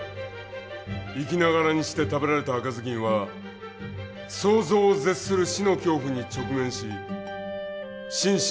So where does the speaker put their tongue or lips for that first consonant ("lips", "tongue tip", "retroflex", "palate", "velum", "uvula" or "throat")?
velum